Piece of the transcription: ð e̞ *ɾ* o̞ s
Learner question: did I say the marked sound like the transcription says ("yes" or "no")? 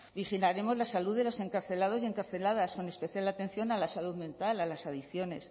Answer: no